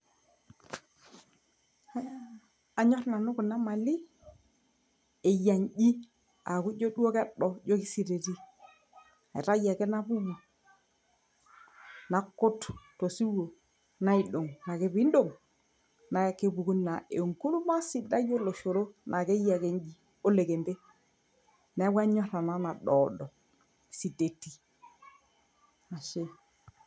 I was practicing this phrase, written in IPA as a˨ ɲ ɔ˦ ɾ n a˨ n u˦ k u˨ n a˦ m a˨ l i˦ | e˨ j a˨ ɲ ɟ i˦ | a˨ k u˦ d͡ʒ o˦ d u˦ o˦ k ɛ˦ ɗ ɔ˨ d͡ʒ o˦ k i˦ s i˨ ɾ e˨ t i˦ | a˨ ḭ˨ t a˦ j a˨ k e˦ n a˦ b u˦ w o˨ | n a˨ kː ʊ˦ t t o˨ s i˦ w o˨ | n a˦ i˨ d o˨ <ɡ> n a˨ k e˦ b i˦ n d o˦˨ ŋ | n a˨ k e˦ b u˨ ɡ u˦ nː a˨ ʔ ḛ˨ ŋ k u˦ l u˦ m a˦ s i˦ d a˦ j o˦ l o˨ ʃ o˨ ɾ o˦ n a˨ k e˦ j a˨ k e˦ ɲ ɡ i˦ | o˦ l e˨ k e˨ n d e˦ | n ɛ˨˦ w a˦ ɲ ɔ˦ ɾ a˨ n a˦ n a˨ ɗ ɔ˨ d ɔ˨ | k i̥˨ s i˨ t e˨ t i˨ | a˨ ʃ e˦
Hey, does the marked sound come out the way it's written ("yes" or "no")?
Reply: no